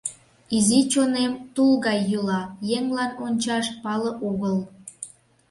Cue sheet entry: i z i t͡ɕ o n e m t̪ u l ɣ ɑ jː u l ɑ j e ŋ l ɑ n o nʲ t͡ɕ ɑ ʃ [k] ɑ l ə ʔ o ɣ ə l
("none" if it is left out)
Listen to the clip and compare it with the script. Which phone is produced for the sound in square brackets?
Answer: p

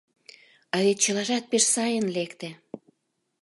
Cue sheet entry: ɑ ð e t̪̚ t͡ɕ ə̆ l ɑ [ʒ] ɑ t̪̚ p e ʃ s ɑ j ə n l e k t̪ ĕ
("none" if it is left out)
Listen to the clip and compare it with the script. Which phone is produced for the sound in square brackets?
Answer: ʒ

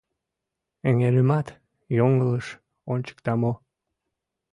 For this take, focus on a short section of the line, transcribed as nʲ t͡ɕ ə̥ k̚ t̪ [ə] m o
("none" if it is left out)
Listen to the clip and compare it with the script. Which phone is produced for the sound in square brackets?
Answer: ɑ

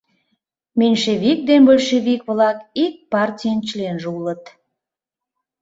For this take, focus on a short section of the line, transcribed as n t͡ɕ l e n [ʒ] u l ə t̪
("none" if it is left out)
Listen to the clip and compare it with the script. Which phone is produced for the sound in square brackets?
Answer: ʒ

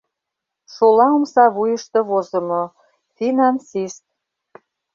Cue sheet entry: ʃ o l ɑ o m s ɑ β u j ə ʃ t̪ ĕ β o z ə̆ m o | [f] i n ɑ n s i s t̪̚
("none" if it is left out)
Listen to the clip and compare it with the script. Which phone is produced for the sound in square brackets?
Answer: f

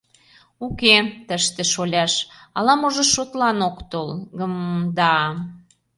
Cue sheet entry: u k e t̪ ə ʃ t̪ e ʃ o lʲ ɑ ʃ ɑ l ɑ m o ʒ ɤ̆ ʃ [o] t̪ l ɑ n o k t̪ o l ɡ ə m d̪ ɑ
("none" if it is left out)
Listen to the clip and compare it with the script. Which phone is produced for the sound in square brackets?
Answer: o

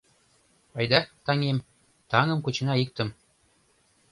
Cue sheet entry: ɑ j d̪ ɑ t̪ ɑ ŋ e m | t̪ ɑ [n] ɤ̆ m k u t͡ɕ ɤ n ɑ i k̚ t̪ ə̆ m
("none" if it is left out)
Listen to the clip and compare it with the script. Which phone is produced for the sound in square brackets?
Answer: ŋ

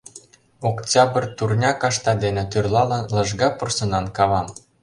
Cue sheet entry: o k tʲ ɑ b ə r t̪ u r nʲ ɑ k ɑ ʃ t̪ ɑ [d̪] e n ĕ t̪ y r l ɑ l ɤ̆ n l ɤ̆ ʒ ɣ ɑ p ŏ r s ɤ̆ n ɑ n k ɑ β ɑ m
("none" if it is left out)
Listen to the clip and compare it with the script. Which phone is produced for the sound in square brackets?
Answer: d̪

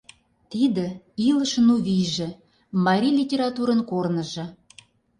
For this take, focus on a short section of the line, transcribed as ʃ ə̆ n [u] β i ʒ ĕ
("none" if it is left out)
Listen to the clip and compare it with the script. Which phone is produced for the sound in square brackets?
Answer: u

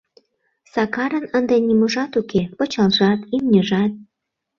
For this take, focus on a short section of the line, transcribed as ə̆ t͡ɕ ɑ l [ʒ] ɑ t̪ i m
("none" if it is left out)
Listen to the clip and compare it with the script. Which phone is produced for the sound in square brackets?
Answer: ʒ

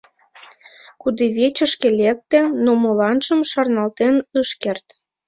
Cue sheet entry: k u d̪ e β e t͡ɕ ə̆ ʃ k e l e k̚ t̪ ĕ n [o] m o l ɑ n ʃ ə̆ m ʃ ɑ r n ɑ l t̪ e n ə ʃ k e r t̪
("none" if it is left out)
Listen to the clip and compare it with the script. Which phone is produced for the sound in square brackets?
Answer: o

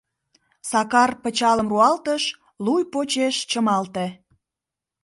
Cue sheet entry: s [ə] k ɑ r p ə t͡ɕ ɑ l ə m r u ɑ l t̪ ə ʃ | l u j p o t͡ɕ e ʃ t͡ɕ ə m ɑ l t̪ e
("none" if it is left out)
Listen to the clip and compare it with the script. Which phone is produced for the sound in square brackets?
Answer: ɑ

